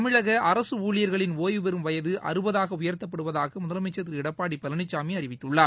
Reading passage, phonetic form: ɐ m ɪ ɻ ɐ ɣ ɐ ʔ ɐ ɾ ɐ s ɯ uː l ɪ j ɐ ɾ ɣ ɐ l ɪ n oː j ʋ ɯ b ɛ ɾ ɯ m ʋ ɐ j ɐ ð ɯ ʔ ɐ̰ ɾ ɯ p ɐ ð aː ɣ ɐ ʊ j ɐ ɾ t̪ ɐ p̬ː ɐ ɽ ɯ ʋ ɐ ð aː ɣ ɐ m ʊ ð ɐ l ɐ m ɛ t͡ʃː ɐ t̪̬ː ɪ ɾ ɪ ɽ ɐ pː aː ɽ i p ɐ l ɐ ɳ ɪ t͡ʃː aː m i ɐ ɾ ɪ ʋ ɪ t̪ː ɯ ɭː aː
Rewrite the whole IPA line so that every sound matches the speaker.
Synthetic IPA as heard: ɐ m ɪ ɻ ɐ ɣ ɐ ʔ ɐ ɾ ɐ s ɯ uː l ɪ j ɐ ɾ ɣ ɐ ɭ ɪ n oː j ʋ ɯ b ɛ ɾ ɯ m ʋ ɐ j ɐ ð ɯ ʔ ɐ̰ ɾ ɯ b ɐ ð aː ɣ ɐ ʊ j ɐ ɾ t̪ ɐ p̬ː ɐ ɽ ɯ ʋ ɐ ð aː ɣ ɐ m ʊ ð ɐ l ɐ m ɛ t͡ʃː ɐ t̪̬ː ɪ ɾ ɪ ɽ ɐ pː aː ɽ i p ɐ l ɐ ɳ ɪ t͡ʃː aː m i ɐ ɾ ɪ ʋ ɪ t̪ː ɯ ɭː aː